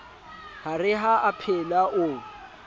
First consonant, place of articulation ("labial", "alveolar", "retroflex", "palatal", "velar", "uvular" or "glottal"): glottal